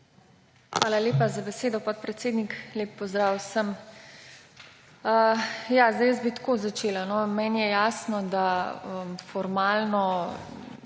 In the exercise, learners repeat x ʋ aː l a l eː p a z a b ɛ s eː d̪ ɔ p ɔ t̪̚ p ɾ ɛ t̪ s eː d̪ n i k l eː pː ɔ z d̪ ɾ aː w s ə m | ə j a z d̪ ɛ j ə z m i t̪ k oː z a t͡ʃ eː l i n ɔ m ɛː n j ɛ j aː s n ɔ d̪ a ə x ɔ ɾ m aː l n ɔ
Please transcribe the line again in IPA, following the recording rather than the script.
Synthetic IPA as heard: x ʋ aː l a l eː p a z a b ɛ s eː d̪ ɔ p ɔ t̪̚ p ɾ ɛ t̪ s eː d̪ n i k l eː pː ɔ z d̪ ɾ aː w s ə m | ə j a z d̪ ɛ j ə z b i t̪ k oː z a t͡ʃ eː l a n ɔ m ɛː n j ɛ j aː s n ɔ d̪ a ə f ɔ ɾ m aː l n ɔ

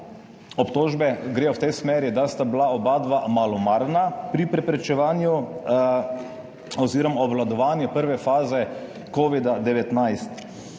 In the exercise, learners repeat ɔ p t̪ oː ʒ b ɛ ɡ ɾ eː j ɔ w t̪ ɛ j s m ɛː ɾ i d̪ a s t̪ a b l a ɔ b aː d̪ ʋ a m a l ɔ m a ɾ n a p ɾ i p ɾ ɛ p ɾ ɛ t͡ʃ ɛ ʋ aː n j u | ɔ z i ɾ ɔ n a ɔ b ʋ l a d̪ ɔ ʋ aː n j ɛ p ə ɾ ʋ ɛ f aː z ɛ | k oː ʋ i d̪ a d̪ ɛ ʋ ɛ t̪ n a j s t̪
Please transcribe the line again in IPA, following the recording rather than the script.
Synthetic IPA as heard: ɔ p t̪ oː ʒ b ɛ ɡ ɾ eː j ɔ w t̪ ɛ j s m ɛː ɾ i d̪ a s t̪ a b l a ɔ b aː d̪ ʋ a m a l ɔ m a ɾ n a p ɾ i p ɾ ɛ p ɾ ɛ t͡ʃ ɛ ʋ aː n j u | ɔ z i ɾ ɔ m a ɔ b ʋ l a d̪ ɔ ʋ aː n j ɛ p ə ɾ ʋ ɛ f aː z ɛ | k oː ʋ i d̪ a d̪ ɛ ʋ ɛ t̪ n a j s t̪

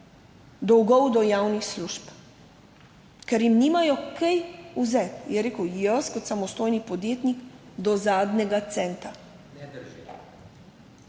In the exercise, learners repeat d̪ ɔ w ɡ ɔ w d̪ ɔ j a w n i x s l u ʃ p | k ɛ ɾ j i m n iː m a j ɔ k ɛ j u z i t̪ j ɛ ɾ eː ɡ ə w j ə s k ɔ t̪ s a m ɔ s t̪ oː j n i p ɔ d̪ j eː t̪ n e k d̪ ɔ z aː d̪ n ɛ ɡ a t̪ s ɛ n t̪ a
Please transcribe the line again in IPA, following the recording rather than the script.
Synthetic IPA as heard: d̪ ɔ w ɡ ɔ w d̪ ɔ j a w n i x s l u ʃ p | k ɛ ɾ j i m n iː m a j ɔ k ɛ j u z ɛ t̪ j ɛ ɾ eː k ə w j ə s k ɔ t̪ s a m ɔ s t̪ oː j n i p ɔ d̪ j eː t̪ n i k d̪ ɔ z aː d̪ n ɛ ɡ a t̪ s ɛ n t̪ a

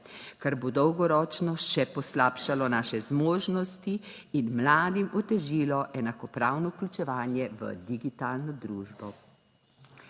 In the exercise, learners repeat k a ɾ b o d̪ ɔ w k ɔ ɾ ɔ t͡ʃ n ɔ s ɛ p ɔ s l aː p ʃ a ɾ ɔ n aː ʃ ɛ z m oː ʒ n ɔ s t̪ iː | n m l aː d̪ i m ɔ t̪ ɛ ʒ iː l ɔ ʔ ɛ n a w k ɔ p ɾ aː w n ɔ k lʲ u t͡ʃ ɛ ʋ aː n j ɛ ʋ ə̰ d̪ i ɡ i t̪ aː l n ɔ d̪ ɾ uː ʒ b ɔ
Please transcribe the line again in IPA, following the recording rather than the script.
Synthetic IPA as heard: k a ɾ b o d̪ ɔ w ɡ ɔ ɾ ɔ t͡ʃ n ɔ ʃ ɛ p ɔ s l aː p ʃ a l ɔ n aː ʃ ɛ z m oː ʒ n ɔ s t̪ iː | n m l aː d̪ i m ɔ t̪ ɛ ʒ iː l ɔ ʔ ɛ n a k ɔ p ɾ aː w n ɔ k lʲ u t͡ʃ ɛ ʋ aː n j ɛ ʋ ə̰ d̪ i ɡ i t̪ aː l n ɔ d̪ ɾ uː ʒ b ɔ

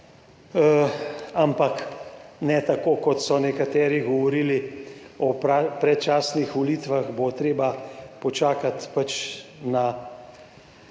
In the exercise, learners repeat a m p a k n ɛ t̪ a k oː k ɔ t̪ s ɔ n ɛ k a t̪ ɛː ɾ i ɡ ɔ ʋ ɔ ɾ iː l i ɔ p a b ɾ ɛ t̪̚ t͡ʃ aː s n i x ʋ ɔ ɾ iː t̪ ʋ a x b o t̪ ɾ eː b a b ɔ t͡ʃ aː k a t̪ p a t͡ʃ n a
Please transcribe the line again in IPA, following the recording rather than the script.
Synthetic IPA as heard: a m p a k n ɛ t̪ a k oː k ɔ t̪ s ɔ n ɛ k a t̪ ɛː ɾ i ɡ ɔ ʋ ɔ ɾ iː l i ɔ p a p ɾ ɛ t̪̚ t͡ʃ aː s n i x ʋ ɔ l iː t̪ ʋ a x b o t̪ ɾ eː b a p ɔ t͡ʃ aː k a t̪ p a t͡ʃ n a

